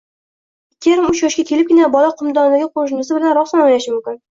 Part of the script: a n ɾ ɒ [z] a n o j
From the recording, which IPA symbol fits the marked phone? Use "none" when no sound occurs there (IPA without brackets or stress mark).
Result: s